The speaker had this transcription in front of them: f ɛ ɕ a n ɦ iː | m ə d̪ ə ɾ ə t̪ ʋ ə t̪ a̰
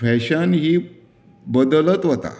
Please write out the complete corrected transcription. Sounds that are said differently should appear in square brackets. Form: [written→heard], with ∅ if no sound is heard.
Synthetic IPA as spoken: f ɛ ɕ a n ɦ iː | [m→b] ə d̪ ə [ɾ→l] ə t̪ ʋ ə t̪ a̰